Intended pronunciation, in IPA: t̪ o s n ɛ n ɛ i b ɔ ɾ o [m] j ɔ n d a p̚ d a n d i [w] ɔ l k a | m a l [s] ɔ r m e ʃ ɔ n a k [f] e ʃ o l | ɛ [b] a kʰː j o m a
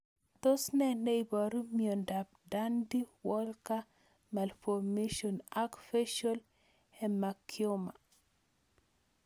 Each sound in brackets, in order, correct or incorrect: correct, correct, incorrect, correct, incorrect

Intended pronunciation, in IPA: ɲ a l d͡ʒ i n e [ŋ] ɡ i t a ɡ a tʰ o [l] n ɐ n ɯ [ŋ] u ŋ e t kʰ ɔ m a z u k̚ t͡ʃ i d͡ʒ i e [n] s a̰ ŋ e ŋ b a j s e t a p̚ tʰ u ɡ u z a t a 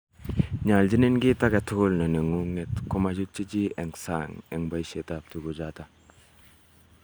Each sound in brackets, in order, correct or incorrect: incorrect, correct, correct, incorrect

